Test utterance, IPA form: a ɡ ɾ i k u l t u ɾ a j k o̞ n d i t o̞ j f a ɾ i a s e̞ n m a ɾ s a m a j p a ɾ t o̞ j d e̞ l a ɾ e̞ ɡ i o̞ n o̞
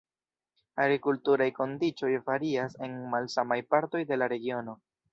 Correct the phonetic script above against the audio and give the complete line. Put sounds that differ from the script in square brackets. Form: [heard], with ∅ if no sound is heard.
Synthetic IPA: a ɡ ɾ i k u l t u ɾ a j k o̞ n d i [t͡ʃ] o̞ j f a ɾ i a s e̞ n m a [l] s a m a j p a ɾ t o̞ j d e̞ l a ɾ e̞ ɡ i o̞ n o̞